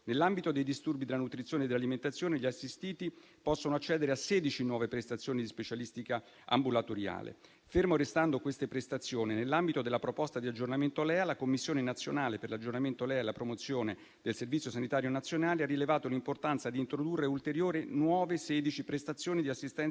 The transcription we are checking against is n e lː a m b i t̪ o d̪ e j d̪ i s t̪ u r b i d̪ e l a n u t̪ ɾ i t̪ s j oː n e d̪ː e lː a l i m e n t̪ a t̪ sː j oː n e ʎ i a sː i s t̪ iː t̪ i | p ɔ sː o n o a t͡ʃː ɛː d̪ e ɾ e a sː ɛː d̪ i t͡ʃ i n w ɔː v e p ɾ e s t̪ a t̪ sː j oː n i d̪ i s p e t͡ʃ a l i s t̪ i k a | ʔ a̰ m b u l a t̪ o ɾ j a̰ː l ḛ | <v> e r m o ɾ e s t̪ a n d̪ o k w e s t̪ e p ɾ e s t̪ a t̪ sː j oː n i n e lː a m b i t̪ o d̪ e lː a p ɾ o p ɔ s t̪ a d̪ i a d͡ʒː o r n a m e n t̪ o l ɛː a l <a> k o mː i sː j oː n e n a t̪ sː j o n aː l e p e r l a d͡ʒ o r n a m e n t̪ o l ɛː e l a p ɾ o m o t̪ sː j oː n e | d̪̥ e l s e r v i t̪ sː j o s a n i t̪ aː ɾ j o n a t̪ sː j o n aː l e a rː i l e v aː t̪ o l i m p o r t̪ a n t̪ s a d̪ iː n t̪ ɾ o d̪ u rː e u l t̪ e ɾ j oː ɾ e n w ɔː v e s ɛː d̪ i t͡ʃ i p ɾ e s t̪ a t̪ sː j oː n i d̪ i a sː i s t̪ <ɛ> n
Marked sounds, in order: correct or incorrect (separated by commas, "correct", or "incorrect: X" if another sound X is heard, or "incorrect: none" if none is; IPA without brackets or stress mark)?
incorrect: f, correct, correct